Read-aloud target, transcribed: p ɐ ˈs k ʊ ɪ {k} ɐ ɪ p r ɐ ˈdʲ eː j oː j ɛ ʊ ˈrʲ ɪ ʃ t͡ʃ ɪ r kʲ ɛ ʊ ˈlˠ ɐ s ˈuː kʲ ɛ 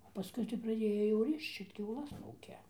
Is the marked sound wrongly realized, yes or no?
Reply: yes